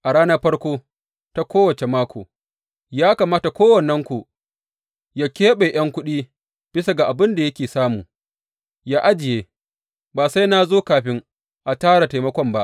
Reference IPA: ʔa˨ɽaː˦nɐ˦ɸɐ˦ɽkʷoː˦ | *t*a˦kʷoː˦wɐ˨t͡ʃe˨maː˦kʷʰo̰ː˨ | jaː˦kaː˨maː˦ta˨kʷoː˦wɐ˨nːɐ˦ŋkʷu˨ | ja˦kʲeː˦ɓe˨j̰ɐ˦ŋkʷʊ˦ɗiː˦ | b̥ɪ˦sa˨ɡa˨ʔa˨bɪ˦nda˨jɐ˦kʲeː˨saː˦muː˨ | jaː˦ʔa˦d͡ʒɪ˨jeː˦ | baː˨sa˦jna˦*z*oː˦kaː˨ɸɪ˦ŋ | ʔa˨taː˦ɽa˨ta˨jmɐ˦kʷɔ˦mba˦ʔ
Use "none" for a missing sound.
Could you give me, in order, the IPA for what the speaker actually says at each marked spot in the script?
t, z

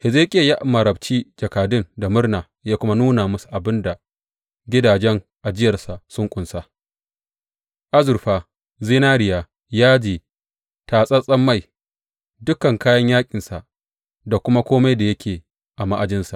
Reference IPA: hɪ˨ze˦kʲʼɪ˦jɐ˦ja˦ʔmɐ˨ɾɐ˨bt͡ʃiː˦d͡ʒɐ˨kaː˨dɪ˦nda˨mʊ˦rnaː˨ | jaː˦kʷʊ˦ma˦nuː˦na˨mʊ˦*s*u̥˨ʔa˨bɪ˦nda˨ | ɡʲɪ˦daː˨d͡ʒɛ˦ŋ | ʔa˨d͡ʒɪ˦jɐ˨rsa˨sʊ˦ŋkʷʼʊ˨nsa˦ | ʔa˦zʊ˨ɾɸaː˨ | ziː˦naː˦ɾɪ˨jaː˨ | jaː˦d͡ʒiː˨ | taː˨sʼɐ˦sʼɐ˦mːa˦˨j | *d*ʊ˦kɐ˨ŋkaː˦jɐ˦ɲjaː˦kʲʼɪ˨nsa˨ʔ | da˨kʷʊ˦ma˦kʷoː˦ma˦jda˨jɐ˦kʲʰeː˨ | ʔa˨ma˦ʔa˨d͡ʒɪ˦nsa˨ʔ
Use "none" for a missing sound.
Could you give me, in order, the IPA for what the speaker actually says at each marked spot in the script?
s, d

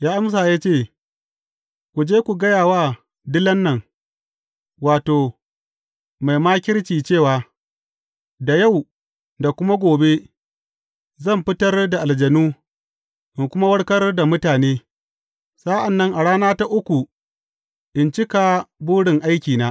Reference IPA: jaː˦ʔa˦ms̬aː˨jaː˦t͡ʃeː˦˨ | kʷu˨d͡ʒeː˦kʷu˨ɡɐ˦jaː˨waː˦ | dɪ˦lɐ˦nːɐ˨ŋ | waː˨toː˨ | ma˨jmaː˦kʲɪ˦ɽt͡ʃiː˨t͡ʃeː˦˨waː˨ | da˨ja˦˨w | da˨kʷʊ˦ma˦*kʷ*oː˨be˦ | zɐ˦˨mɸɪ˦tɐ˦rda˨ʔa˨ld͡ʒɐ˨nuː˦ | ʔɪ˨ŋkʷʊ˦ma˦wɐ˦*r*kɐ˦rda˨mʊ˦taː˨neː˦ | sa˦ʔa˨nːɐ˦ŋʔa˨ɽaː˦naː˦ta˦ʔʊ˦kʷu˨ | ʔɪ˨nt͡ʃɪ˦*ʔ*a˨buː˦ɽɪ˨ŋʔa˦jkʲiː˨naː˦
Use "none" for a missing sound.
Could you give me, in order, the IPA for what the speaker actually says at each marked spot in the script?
ɡʷ, ɽ, k

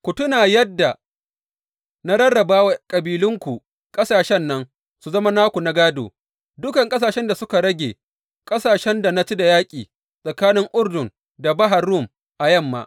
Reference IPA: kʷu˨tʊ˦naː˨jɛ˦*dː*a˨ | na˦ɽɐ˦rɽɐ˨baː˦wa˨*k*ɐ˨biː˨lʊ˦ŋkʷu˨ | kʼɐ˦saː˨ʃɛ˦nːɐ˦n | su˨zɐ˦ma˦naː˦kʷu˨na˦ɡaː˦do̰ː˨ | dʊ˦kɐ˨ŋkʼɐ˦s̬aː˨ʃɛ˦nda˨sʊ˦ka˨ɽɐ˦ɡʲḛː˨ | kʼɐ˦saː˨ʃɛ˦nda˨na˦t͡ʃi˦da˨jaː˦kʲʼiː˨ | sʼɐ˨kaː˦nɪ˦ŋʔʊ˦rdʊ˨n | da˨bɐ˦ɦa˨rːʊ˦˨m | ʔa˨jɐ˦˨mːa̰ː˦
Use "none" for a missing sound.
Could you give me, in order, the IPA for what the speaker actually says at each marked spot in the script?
dː, kʼ

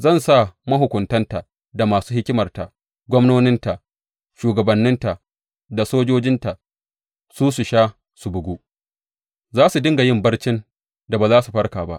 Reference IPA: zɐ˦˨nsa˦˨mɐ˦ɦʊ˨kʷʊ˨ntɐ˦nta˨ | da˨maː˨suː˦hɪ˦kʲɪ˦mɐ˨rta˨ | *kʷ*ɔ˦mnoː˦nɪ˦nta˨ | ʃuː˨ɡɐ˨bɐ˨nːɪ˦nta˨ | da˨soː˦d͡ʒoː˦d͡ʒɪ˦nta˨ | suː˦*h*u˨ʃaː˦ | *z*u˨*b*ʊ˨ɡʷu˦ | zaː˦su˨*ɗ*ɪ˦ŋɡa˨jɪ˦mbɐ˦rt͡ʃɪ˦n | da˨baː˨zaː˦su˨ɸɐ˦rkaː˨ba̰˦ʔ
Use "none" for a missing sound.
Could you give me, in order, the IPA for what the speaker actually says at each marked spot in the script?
ɡʷ, s, s, b, d

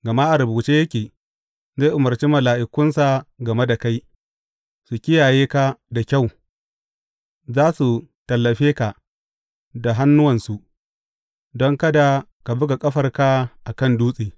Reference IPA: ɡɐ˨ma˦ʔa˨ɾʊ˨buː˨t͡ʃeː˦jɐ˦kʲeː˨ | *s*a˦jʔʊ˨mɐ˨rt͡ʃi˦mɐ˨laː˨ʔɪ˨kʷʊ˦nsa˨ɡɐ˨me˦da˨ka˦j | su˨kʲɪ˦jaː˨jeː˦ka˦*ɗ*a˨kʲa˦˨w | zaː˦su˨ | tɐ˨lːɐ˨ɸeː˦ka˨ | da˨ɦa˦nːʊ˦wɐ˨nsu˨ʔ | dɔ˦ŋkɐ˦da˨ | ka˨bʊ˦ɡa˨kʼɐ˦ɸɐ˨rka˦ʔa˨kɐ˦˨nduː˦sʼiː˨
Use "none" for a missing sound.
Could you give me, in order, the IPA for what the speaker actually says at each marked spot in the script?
z, d

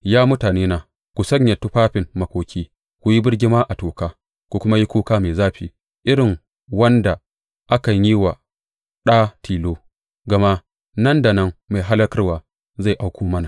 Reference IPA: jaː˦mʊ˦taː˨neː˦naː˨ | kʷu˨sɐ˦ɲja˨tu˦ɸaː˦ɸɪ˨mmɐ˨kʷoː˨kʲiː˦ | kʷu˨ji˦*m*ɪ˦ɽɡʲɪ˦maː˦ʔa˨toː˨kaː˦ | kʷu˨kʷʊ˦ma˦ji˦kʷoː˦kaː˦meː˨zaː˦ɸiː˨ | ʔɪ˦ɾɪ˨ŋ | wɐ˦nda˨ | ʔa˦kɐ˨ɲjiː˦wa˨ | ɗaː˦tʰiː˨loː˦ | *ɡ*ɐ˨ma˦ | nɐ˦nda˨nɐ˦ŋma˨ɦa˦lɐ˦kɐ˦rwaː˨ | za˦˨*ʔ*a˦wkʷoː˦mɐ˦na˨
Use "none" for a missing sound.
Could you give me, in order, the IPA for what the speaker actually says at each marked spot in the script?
b, ɡ, ʔ

